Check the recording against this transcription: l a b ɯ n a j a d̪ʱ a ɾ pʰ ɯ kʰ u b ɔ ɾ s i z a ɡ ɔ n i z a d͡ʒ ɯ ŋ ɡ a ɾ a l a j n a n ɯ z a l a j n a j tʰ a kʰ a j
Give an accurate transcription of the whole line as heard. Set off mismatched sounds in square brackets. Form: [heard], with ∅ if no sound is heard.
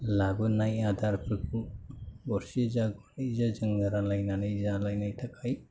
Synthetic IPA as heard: l a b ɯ n a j a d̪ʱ a ɾ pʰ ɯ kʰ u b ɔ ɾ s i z a ɡ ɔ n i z a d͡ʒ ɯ ŋ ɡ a ɾ a l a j n a n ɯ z a l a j n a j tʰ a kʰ a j